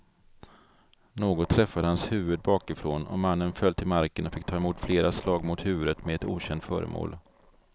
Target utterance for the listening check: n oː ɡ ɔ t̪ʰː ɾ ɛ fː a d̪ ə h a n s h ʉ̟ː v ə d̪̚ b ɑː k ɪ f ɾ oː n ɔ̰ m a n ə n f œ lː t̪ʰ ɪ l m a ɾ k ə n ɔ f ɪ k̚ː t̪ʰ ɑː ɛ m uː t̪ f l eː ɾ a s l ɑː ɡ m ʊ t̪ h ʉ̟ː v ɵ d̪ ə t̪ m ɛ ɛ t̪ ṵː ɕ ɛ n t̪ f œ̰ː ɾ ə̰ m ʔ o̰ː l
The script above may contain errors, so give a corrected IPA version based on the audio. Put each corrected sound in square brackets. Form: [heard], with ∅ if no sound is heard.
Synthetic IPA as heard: n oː ɡ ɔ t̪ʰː ɾ ɛ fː a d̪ ə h a n s h ʉ̟ː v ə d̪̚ b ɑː k ɪ f ɾ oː n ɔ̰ m a [nː] ə n f œ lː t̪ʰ ɪ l m a ɾ k ə n ɔ f ɪ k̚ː t̪ʰ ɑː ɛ m uː t̪ f l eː ɾ a s l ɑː ɡ m ʊ t̪ h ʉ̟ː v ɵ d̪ ə t̪ m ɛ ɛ t̪ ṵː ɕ ɛ n t̪ f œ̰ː ɾ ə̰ m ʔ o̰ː l